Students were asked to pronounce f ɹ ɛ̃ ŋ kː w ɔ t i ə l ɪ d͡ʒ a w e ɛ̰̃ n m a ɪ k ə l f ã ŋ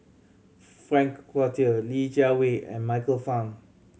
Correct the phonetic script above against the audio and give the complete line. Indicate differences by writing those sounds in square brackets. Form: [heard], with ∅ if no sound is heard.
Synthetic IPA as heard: f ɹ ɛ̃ ŋ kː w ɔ t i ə l [i] d͡ʒ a w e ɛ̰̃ n m a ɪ k ə l f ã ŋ

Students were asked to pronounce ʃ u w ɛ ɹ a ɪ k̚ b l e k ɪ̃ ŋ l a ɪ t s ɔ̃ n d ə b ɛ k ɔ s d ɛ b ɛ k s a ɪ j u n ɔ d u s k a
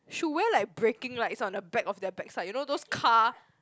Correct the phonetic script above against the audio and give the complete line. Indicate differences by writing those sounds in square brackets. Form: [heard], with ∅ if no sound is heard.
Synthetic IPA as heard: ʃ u w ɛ [l] a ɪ k̚ b [ɹ] e k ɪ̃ ŋ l a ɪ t s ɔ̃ n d ə b ɛ k ɔ [f] d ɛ b ɛ k s a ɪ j u n [o] d [o] s [kʰ] a

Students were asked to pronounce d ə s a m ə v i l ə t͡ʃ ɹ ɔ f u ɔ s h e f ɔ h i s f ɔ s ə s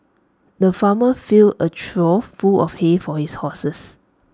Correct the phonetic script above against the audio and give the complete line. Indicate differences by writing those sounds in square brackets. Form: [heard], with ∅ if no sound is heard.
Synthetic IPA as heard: d ə [f] a m ə [f] i l ə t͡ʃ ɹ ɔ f u ɔ [f] h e f ɔ h i s [h] ɔ s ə s

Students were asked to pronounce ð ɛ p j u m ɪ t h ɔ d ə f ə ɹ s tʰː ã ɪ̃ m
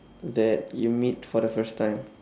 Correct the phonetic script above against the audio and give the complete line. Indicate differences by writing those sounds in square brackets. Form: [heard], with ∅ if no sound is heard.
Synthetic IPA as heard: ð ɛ [t] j u m [i] t [f] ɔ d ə f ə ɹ s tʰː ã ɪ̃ m

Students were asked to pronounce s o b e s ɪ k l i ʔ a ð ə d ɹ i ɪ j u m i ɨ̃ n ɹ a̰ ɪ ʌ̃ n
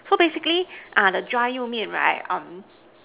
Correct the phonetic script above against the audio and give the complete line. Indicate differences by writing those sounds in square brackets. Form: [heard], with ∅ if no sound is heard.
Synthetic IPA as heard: s o b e s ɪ k l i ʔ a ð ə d ɹ [a] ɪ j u m i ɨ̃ n ɹ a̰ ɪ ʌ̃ [m]

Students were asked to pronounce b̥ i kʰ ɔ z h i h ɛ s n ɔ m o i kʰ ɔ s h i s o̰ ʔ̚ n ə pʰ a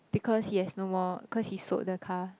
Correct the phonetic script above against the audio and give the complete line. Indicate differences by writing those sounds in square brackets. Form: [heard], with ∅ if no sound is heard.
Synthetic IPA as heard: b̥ i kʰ ɔ [s] h i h ɛ s n [o] m [ɔ] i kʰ ɔ s h i s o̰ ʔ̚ [d] ə [kʰ] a

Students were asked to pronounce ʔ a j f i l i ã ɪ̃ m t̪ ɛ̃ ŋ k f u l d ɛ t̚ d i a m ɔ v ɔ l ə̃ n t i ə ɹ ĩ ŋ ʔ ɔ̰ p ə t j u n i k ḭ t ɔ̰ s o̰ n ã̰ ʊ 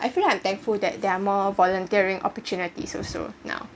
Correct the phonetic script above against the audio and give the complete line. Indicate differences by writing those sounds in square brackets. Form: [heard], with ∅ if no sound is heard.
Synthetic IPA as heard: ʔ a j f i l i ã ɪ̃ m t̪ ɛ̃ ŋ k f u l d ɛ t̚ d [ɛ] a m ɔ v ɔ l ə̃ n t i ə ɹ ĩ ŋ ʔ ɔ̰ p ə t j u n i [t] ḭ [s] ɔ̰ s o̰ n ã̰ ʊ

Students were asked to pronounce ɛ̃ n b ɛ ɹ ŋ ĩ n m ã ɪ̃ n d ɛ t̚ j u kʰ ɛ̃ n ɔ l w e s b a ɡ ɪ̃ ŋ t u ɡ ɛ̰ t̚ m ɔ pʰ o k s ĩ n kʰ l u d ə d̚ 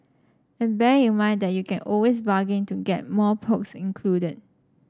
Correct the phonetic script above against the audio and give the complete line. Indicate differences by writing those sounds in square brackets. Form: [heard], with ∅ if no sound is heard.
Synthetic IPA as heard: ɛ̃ n b ɛ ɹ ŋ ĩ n m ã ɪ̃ n d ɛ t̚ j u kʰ ɛ̃ n ɔ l w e s b a ɡ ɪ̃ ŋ t u ɡ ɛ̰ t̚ m ɔ pʰ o k s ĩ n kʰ l u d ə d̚

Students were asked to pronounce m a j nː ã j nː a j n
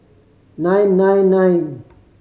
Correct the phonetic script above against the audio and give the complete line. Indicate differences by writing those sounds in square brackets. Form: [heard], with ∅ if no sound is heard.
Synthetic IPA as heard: [n] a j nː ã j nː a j n

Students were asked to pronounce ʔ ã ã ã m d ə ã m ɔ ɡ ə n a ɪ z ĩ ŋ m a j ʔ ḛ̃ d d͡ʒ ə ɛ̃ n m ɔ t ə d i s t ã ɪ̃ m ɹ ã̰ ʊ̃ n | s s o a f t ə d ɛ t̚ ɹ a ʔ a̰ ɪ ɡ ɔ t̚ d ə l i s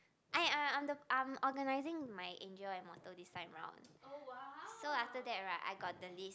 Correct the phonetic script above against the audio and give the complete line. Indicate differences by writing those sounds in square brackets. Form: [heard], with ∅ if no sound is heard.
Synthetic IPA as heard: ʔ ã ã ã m d ə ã m ɔ ɡ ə n a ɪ z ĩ ŋ m a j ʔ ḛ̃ [n] d͡ʒ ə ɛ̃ n m ɔ t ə d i s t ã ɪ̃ m ɹ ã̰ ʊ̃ n | s s o a f t ə d ɛ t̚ ɹ a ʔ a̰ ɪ ɡ ɔ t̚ d ə l i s

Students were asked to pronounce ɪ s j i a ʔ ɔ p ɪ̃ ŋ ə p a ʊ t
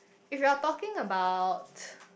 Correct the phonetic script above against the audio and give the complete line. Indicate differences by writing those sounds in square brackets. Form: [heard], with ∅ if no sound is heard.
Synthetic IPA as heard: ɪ [f] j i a [t] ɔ [k] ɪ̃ ŋ ə [b] a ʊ t

